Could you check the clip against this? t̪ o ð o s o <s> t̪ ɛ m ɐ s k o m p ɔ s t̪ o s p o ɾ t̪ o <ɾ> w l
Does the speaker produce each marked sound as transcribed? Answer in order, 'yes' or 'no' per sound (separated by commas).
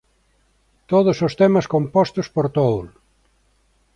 yes, no